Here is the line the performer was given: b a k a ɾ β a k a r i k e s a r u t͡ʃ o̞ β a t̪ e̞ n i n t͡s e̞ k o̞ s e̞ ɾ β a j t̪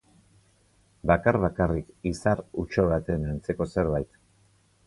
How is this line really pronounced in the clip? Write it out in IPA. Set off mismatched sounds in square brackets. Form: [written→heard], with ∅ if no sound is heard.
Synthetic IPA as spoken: b a k a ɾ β a k a r i k [e→i] s a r u t͡ʃ o̞ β a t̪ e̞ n [i→a] n t͡s e̞ k o̞ s e̞ ɾ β a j t̪